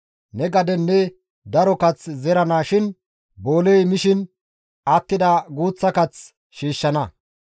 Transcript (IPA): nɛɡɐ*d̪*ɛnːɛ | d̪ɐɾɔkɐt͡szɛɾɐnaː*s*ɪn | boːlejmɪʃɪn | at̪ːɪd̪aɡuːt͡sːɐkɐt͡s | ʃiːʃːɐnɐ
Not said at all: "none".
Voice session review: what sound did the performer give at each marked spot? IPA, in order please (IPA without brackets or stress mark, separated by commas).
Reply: d̪, ʃ